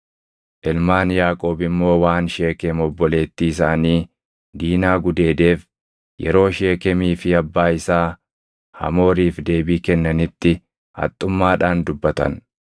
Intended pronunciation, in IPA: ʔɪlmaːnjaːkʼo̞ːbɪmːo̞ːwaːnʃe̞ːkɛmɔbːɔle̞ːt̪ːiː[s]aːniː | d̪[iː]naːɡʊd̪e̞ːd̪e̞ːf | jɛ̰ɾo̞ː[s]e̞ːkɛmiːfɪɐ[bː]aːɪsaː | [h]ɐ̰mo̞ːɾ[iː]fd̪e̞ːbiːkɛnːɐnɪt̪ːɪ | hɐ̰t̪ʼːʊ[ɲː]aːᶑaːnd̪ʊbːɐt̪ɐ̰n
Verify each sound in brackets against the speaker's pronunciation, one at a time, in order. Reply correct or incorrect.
correct, correct, incorrect, correct, correct, correct, incorrect

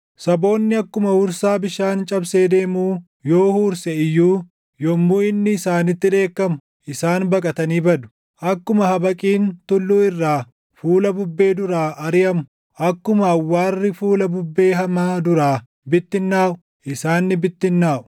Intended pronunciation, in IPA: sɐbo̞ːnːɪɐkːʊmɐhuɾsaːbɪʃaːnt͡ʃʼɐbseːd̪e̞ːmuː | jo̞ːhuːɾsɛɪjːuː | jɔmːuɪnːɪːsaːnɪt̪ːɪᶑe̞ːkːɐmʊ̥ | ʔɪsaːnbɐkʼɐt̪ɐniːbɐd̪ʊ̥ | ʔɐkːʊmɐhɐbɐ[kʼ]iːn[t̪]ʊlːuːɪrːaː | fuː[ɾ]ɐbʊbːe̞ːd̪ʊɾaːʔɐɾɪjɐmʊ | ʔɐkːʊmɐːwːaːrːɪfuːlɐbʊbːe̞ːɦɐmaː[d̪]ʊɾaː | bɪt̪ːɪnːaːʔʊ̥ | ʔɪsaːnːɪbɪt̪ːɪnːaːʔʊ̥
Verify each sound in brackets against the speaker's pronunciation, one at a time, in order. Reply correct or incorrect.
correct, correct, incorrect, correct

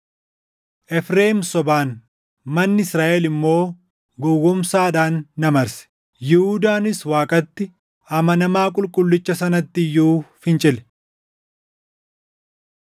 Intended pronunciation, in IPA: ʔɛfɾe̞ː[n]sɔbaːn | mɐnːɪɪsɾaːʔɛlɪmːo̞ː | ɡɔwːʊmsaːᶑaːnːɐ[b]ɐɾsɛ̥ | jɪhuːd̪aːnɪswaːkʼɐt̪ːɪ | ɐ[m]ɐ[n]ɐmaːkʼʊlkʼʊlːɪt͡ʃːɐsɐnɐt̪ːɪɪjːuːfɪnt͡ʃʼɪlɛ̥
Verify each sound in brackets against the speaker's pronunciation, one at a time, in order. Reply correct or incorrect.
incorrect, incorrect, correct, correct

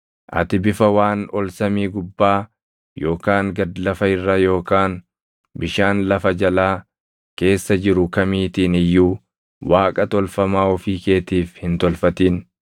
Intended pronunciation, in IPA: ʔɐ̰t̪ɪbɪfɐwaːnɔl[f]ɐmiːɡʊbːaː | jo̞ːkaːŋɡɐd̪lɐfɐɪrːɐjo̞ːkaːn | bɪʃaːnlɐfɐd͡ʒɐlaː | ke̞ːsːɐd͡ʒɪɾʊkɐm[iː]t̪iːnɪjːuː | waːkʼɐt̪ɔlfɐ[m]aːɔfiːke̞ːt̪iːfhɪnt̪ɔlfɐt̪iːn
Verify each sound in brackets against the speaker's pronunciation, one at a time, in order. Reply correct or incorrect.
incorrect, correct, correct

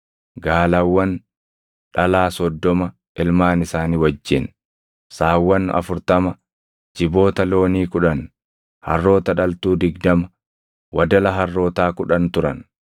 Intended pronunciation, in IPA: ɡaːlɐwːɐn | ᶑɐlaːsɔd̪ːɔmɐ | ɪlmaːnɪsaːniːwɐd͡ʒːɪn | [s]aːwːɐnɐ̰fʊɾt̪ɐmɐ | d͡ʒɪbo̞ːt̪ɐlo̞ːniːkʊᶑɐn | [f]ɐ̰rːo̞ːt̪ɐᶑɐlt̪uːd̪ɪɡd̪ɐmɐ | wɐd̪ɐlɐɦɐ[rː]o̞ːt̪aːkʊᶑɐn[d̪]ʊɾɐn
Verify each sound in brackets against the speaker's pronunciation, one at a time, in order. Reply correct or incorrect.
correct, incorrect, correct, incorrect

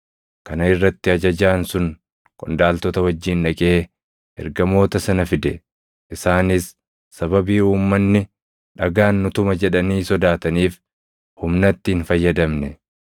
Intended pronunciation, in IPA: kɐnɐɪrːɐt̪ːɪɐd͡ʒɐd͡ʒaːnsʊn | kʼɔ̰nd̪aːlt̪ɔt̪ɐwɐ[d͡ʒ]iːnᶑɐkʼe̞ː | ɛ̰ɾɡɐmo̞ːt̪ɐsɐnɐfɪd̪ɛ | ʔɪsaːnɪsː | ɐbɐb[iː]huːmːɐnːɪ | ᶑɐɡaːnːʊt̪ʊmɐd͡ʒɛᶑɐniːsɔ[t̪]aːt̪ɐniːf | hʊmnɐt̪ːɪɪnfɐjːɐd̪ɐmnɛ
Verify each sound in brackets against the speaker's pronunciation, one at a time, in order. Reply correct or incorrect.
incorrect, correct, incorrect

